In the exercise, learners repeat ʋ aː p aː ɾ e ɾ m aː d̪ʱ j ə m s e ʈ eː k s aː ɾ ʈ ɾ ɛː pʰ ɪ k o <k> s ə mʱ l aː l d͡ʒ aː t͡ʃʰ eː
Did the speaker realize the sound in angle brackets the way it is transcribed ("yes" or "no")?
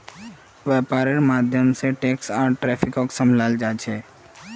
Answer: yes